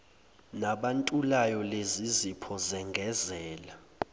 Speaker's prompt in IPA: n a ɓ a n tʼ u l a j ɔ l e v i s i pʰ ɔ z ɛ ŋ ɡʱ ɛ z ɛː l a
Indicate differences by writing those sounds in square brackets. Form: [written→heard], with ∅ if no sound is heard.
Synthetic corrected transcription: n a ɓ a n tʼ u l a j ɔ l e [v→z] i [s→z] i pʰ ɔ z ɛ ŋ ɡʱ ɛ z ɛː l a